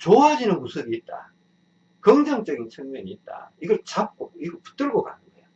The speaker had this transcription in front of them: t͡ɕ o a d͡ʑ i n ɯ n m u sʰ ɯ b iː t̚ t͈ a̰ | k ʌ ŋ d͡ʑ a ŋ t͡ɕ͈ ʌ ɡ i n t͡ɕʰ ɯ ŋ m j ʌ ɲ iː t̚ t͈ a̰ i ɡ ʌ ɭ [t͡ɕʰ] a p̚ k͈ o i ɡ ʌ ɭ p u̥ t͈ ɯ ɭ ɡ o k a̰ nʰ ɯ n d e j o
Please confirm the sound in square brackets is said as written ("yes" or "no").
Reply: no